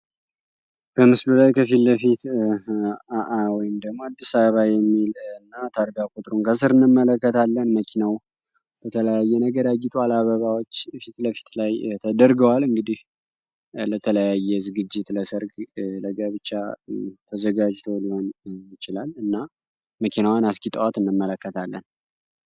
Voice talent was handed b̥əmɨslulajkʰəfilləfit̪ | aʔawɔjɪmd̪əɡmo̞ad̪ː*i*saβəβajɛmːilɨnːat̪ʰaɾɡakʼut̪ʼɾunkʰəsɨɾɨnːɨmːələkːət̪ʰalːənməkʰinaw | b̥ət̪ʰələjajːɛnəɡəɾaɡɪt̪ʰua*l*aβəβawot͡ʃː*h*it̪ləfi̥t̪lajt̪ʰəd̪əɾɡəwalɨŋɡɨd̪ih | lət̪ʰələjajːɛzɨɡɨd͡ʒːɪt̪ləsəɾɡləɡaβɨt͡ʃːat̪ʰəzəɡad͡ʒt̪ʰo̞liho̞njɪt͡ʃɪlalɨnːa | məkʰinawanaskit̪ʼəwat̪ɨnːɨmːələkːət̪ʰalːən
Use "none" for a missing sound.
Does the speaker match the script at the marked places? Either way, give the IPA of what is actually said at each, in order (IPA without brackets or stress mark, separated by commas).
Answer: i, l, f